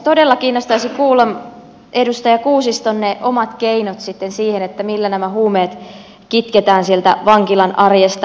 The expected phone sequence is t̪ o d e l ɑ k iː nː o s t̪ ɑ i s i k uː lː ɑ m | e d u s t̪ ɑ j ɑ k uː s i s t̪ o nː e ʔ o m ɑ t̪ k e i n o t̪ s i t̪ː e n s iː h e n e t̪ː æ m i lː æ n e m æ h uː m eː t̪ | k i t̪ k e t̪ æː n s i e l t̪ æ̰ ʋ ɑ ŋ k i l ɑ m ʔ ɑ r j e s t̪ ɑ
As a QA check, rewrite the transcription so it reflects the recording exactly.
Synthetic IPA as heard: t̪ o d e lː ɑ k iː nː o s t̪ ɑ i s i k uː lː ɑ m | e d u s t̪ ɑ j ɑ k uː s i s t̪ o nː e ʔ o m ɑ t̪ k e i n o t̪ s i t̪ː e n s iː h e n e t̪ː æ m i lː æ n æ m æ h uː m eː t̪ | k i t̪ k e t̪ æː n s i e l t̪ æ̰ ʋ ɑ ŋ k i l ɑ n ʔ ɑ r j e s t̪ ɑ

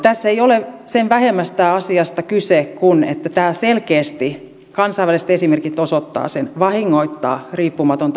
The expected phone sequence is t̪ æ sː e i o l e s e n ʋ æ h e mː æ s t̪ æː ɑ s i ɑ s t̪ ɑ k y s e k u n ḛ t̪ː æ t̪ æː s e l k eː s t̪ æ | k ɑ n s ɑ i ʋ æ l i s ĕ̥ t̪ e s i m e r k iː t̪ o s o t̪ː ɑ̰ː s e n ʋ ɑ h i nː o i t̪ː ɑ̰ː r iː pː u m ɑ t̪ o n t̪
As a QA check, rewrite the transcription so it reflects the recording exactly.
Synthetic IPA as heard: t̪ æ sː e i o l e s e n ʋ æ h e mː æ s t̪ æː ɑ s i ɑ s t̪ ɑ k y s e k u n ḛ t̪ː æ t̪ æː s e l k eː s t̪ i | k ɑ n s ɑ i ʋ æ l i s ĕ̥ t̪ e s i m e r k i t̪ o s o t̪ː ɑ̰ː s e n ʋ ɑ h i ŋː o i t̪ː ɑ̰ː r iː pː u m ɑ t̪ o n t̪

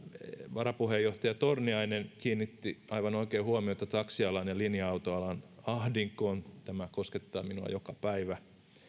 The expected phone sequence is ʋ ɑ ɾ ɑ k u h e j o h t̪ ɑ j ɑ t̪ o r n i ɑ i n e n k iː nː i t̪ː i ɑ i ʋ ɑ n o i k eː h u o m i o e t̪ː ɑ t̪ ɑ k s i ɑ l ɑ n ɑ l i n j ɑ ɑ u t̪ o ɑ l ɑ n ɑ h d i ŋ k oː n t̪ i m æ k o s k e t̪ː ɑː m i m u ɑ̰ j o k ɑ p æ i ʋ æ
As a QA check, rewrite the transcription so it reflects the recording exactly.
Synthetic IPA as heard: ʋ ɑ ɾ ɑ p u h e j o h t̪ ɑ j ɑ t̪ o r n i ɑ i n e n k iː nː i t̪ː i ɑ i ʋ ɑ n o i k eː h u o m i o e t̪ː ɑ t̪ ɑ k s i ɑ l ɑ n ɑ l i n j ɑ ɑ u t̪ o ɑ l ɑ n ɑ h d i ŋ k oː n t̪ æ m æ k o s k e t̪ː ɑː m i n u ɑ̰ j o k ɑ p æ i ʋ æ

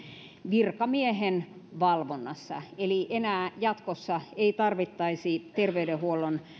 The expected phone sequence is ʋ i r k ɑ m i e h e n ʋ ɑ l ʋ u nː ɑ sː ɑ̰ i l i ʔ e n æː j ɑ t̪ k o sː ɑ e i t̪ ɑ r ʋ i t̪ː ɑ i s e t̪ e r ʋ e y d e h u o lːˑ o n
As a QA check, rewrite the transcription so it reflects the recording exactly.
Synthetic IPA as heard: ʋ i r k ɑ m i e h e n ʋ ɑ l ʋ o nː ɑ sː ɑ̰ e l i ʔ e n æː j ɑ t̪ k o sː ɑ e i t̪ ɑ r ʋ i t̪ː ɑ i s i t̪ e r ʋ e y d e h u o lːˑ o n

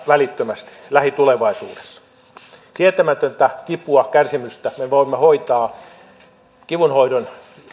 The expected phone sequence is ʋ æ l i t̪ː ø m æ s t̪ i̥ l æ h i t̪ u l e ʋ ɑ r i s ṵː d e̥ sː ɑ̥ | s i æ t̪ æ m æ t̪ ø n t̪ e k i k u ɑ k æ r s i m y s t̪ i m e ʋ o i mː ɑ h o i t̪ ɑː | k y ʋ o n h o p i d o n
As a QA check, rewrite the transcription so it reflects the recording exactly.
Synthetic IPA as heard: ʋ æ l i t̪ː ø m æ s t̪ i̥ l æ h i t̪ u l e ʋ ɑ i s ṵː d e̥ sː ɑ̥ | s i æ t̪ æ m æ t̪ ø n t̪ æ k i p u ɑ k æ r s i m y s t̪ æ m e ʋ o i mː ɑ h o i t̪ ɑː | k i ʋ u n h o i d o n

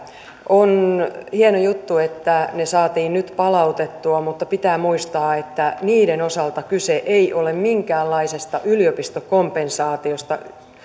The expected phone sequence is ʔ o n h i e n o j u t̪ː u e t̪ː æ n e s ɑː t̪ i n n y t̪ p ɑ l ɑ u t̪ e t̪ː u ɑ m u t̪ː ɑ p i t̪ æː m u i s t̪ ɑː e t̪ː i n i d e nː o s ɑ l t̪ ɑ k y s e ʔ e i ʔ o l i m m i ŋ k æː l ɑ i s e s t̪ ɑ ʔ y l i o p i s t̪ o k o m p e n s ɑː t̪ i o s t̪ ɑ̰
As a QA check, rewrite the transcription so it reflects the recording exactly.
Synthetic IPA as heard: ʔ o n h i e n o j u t̪ː u e t̪ː æ n e s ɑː t̪ iː n n y t̪ p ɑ l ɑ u t̪ e t̪ː u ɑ m u t̪ː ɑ p i t̪ æː m u i s t̪ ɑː e t̪ː æ n iː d e n o s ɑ l t̪ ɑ k y s e ʔ e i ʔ o l e m m i ŋ k æː lː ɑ i s e s t̪ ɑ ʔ y l i o p i s t̪ o k o m p e n s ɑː t̪ i o s t̪ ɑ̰

